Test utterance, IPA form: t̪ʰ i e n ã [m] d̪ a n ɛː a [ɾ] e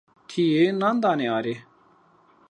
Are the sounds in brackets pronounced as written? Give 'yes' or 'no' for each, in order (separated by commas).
no, yes